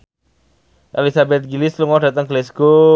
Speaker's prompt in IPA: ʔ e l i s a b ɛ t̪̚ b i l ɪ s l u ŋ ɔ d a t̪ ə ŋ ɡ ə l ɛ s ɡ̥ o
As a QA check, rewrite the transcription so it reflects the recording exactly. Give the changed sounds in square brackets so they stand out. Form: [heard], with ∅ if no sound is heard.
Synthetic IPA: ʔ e l i s a b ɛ t̪̚ [ɡ] i l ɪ s l u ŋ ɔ d a t̪ ə ŋ ɡ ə l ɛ s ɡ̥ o